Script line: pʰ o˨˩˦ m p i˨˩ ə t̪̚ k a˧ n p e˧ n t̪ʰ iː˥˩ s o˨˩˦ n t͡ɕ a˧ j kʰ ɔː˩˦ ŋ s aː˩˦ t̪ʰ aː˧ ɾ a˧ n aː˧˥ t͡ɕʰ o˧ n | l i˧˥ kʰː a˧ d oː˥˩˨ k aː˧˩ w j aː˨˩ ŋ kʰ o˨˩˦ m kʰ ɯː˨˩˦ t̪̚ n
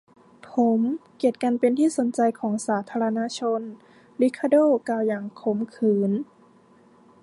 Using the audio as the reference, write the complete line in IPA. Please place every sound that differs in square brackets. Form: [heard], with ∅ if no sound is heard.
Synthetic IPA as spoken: pʰ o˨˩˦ m [k] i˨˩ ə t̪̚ k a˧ n p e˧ n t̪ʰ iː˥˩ s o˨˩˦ n t͡ɕ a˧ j kʰ ɔː˩˦ ŋ s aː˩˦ t̪ʰ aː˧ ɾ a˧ n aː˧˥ t͡ɕʰ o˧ n | l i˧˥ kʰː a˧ d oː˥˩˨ k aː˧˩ w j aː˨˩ ŋ kʰ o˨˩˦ m kʰ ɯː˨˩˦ [∅] n

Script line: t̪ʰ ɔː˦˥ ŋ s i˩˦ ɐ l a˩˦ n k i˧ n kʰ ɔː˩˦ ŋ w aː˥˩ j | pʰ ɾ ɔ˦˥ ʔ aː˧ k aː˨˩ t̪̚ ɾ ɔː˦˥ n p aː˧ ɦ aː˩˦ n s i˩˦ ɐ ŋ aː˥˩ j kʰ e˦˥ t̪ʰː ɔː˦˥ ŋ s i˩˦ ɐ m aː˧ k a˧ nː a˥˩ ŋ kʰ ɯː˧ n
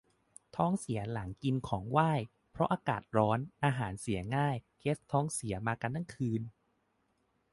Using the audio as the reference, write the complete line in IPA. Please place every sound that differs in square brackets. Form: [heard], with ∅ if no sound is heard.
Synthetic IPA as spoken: t̪ʰ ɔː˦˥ ŋ s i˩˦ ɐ l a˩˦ [ŋ] k i˧ n kʰ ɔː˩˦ ŋ w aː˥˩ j | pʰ ɾ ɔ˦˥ ʔ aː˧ k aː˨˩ t̪̚ ɾ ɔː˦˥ n [ʔ] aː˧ ɦ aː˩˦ n s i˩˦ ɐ ŋ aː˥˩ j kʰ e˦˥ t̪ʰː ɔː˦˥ ŋ s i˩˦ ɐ m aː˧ k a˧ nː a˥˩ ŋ kʰ ɯː˧ n

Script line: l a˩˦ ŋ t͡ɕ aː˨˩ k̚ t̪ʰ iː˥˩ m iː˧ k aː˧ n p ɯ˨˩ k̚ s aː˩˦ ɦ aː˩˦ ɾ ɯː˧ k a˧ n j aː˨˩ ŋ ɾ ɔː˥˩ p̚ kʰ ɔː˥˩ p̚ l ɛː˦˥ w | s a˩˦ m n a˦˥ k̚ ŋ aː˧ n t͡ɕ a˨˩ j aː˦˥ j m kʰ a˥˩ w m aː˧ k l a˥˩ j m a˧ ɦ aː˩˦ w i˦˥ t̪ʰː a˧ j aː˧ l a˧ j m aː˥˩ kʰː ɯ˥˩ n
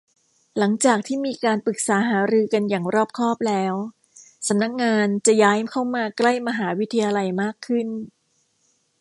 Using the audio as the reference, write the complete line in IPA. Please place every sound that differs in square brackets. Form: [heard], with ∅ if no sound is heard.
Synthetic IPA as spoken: l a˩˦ ŋ t͡ɕ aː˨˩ k̚ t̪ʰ iː˥˩ m iː˧ k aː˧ n p ɯ˨˩ k̚ s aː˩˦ ɦ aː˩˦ ɾ ɯː˧ k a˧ n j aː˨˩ ŋ ɾ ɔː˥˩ p̚ kʰ ɔː˥˩ p̚ l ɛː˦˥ w | s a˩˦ m n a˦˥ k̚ ŋ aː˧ n t͡ɕ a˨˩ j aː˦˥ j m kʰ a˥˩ w m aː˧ k l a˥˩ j m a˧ ɦ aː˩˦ w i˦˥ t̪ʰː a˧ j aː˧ l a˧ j m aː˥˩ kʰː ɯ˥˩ n

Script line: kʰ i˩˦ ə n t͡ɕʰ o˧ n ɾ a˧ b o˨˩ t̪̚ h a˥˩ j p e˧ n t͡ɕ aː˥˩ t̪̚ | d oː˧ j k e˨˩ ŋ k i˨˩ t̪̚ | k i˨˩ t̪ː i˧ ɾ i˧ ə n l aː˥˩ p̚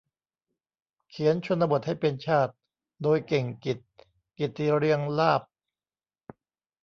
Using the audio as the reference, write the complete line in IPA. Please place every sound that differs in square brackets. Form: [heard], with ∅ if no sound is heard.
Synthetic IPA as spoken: kʰ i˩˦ ə n t͡ɕʰ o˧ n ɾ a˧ b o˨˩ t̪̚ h a˥˩ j p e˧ n [t͡ɕʰ] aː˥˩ t̪̚ | d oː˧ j k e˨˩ ŋ k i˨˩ t̪̚ | k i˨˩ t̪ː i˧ ɾ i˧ ə [ŋ] l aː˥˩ p̚

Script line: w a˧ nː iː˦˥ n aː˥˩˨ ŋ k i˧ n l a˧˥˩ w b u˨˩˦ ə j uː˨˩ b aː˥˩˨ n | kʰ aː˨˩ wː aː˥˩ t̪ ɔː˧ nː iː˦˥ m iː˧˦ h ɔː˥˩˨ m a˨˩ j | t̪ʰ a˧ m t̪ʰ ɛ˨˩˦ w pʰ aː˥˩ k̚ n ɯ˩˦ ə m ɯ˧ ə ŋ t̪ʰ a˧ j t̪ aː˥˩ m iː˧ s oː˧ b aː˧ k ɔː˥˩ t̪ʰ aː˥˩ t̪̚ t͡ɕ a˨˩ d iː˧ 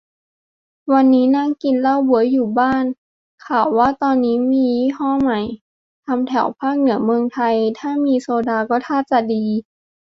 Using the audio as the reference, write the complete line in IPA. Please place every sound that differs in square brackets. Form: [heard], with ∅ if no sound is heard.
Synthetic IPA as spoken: w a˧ nː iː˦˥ n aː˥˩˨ ŋ k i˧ n l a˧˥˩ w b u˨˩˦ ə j uː˨˩ b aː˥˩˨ n | kʰ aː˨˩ wː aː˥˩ t̪ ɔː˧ nː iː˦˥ m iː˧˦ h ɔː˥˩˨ m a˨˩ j | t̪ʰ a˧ m t̪ʰ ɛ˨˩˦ w pʰ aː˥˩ k̚ n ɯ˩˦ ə m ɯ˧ ə ŋ t̪ʰ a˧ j [t̪ʰ] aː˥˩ m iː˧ s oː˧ [d] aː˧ k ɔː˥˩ t̪ʰ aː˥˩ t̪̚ t͡ɕ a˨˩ d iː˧

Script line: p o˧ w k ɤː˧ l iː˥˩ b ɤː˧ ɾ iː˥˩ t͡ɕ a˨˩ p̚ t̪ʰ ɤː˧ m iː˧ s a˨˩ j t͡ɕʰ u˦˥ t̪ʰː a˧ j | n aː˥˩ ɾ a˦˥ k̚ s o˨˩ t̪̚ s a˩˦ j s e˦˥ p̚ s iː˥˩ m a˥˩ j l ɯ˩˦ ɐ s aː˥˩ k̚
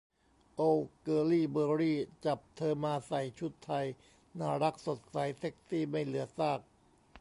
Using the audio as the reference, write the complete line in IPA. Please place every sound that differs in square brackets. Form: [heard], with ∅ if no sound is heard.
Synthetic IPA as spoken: [ʔ] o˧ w k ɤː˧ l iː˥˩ b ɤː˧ ɾ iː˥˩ t͡ɕ a˨˩ p̚ t̪ʰ ɤː˧ m [aː˧] s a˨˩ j t͡ɕʰ u˦˥ t̪ʰː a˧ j | n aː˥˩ ɾ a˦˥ k̚ s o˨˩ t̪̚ s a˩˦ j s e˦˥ [k̚] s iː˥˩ m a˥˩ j l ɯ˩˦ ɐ s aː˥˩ k̚

